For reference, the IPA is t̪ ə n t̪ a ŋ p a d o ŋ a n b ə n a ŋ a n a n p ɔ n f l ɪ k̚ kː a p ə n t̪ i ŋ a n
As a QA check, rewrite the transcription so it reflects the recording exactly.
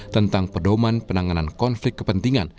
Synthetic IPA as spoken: t̪ ə n t̪ a ŋ p ə d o m a n p ə n a ŋ a n a n k ɔ n f l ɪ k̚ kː ə p ə n t̪ i ŋ a n